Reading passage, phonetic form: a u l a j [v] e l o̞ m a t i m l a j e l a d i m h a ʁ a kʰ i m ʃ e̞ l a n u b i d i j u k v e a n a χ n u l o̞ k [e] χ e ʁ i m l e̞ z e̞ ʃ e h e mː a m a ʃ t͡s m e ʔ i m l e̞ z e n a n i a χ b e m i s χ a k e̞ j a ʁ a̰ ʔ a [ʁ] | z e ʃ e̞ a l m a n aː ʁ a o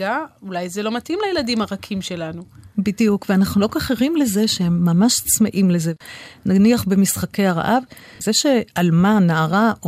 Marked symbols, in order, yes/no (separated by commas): no, no, no